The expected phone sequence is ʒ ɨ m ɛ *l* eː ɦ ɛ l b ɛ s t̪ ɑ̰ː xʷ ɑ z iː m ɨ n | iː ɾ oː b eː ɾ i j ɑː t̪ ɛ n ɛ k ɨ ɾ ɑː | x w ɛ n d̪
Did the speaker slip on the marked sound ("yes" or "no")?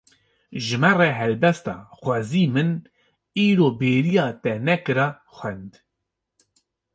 yes